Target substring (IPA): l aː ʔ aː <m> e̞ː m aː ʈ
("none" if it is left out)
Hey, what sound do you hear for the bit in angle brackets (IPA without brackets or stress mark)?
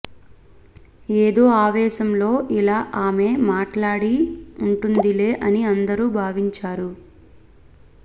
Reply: m